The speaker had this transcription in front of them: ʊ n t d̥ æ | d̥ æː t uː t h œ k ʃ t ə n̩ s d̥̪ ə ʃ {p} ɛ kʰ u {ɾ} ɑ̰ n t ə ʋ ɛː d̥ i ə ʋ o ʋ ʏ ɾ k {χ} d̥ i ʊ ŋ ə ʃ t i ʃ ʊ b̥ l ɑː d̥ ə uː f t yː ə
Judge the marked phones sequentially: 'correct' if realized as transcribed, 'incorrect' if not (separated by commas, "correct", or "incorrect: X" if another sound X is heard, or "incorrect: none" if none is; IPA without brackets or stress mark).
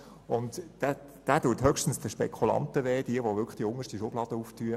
correct, incorrect: l, correct